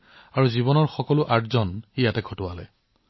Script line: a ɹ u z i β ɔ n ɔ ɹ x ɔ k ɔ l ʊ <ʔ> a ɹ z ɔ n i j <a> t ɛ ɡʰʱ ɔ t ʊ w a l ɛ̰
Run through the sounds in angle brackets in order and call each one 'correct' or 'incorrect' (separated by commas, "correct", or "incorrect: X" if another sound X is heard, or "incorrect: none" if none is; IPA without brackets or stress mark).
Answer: correct, correct